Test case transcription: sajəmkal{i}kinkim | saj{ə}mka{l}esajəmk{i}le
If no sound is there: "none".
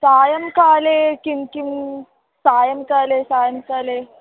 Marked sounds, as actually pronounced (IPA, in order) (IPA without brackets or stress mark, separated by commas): e, ə, l, a